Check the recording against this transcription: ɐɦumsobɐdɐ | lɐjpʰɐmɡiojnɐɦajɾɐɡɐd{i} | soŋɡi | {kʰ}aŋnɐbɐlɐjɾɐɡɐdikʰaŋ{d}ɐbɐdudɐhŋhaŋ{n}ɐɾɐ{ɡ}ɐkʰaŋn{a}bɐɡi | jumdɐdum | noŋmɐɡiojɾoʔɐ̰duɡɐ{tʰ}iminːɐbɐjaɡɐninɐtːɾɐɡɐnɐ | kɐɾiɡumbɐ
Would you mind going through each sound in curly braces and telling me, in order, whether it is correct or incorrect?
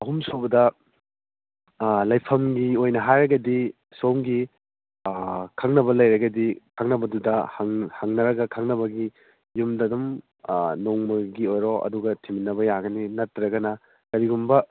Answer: correct, correct, incorrect, correct, correct, incorrect, correct

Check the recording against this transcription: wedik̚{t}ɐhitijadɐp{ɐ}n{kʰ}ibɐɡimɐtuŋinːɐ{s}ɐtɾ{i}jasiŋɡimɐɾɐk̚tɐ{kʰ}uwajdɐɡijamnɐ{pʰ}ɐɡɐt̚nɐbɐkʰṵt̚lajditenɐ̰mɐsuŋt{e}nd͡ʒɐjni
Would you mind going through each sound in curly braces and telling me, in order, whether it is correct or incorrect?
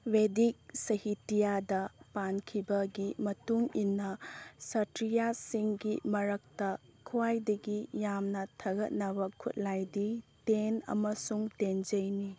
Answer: incorrect, incorrect, correct, correct, correct, correct, incorrect, correct

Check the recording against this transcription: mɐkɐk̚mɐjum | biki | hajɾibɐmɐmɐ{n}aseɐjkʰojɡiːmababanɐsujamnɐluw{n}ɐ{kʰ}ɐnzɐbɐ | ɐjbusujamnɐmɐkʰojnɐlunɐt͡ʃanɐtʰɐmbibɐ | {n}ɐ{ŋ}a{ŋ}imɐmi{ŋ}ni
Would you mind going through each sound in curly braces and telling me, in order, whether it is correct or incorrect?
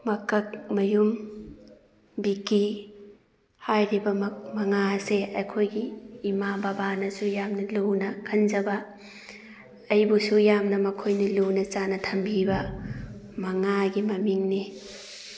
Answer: incorrect, correct, correct, incorrect, correct, incorrect, correct

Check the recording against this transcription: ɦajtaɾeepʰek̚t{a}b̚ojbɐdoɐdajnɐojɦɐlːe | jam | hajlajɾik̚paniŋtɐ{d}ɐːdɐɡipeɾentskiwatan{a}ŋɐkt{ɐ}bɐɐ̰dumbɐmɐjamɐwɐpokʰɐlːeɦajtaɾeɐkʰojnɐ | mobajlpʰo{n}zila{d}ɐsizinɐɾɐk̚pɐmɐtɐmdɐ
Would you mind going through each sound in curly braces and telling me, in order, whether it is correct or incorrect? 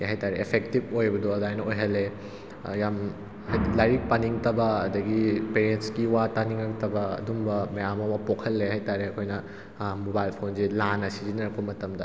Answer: incorrect, incorrect, incorrect, correct, correct, incorrect

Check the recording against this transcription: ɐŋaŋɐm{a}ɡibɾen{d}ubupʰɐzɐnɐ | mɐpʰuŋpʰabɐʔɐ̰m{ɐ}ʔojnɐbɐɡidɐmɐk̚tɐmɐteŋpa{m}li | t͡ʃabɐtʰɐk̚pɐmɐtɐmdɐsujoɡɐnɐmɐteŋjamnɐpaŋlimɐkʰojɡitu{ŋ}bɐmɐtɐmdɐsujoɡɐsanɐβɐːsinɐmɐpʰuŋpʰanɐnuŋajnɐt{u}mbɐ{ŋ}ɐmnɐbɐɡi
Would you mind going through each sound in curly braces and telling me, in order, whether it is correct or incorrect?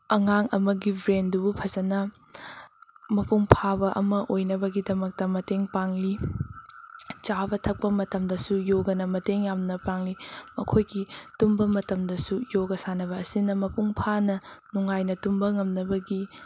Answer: incorrect, correct, correct, incorrect, incorrect, correct, correct

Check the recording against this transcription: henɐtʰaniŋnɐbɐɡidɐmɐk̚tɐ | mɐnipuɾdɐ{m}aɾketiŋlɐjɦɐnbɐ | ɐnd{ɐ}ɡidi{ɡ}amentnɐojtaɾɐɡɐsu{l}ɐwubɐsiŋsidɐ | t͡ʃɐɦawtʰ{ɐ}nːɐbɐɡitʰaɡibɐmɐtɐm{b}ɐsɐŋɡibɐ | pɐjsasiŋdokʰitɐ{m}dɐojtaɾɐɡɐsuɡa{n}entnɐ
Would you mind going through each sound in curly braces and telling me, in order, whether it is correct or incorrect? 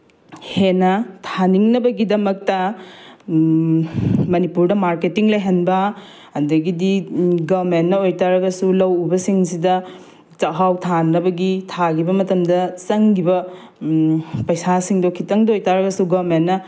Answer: correct, correct, correct, correct, incorrect, incorrect, incorrect, incorrect

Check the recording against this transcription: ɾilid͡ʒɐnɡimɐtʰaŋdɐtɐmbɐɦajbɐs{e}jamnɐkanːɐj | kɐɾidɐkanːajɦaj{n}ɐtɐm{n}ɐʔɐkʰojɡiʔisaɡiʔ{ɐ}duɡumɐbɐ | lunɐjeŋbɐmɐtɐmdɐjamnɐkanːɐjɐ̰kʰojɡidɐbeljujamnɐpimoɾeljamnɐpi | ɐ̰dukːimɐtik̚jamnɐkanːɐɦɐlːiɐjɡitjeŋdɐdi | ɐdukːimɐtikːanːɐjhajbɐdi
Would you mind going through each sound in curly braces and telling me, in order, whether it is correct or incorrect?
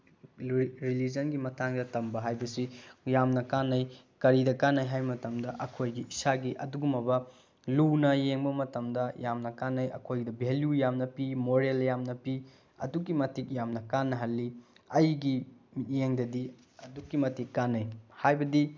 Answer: incorrect, incorrect, incorrect, correct

